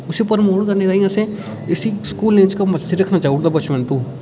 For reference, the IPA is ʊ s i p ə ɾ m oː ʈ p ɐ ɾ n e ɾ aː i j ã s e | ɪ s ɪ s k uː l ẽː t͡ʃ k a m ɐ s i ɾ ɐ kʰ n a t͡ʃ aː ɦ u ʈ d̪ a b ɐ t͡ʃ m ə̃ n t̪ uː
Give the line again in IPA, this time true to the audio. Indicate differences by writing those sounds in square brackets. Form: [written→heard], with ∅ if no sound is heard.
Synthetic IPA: ʊ s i p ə ɾ m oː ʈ [p→k] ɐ ɾ n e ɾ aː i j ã s e | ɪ s [ɪ→i] s k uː l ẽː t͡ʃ k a m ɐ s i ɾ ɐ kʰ n a t͡ʃ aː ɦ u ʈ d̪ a b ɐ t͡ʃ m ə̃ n t̪ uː